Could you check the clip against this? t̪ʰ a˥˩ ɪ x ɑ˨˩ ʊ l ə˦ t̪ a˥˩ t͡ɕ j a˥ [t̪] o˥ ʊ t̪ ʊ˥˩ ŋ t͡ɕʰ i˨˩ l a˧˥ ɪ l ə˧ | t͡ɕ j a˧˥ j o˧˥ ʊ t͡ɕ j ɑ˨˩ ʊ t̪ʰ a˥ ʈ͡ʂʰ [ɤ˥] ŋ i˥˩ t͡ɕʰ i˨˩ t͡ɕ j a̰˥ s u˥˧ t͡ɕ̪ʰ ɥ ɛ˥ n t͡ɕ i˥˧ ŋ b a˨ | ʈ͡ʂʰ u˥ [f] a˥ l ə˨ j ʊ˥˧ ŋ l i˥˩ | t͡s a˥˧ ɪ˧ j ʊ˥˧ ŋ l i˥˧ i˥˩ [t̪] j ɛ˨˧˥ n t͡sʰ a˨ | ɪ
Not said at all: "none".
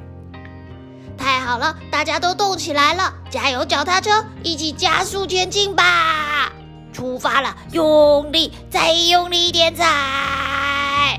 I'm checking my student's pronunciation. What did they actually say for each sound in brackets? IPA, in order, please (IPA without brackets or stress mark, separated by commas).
t̪, ɤ˥, f, t̪